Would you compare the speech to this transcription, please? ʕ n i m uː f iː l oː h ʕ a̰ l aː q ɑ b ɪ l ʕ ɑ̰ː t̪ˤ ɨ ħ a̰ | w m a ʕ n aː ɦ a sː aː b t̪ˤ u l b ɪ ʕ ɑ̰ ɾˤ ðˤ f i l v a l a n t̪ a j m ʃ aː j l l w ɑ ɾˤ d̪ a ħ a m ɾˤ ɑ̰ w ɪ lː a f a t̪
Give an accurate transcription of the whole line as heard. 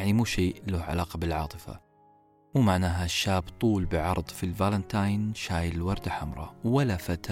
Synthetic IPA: ʕ n i m uː ʃ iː l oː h ʕ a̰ l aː q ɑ b ɪ l ʕ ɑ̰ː t̪ˤ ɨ f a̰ | w m a ʕ n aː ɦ a ʃː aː b t̪ˤ uː l b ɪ ʕ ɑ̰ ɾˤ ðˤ f i l v a l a n t̪ a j n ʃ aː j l l w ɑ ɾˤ d̪ a ħ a m ɾˤ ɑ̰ w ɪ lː a f a t̪